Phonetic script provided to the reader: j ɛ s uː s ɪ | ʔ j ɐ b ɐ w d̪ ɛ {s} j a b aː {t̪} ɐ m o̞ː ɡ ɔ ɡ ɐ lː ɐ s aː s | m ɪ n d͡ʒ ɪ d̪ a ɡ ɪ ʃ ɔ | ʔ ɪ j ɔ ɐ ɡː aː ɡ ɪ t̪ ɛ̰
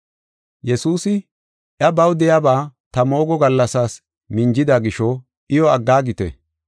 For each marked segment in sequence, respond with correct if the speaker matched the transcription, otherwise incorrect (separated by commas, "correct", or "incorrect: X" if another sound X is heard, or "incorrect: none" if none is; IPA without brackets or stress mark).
incorrect: none, correct